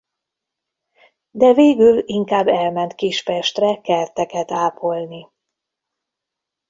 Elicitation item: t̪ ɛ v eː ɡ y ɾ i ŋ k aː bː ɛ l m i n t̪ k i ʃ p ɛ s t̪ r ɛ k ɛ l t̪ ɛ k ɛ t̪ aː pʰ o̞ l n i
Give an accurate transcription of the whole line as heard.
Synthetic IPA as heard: d̪ ɛ v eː ɡ y l i ŋ k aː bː ɛ l m ɛ n t̪ k i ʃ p ɛ ʃ t̪ r ɛ k ɛ r t̪ ɛ k ɛ t̪ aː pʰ o̞ l n i